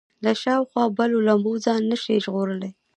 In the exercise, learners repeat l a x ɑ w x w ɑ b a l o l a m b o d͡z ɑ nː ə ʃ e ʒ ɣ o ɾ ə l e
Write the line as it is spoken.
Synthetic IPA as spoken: l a ʃ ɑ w x w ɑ b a l o l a m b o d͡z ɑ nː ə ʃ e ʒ ɣ o ɾ ə l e